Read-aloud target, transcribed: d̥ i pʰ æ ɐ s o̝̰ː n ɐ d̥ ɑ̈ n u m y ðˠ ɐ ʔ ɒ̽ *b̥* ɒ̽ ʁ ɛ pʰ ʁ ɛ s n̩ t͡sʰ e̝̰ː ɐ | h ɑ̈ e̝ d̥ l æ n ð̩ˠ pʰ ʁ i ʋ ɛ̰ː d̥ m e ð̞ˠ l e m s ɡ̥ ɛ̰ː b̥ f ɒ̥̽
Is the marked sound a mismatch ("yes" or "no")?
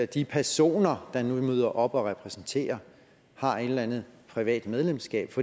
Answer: no